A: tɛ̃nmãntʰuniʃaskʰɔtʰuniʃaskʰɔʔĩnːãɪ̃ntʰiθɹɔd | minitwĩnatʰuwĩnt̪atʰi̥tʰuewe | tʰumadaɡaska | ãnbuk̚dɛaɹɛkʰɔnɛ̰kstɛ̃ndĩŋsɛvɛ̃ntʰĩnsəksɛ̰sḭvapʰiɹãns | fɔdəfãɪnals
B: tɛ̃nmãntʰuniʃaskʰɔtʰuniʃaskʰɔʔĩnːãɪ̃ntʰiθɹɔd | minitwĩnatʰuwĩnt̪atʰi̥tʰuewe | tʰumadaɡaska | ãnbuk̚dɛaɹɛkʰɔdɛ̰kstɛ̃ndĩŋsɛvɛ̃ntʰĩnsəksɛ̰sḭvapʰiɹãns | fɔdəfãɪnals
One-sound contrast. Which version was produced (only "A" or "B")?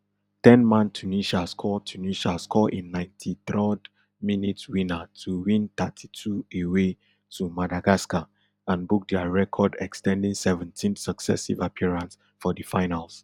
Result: B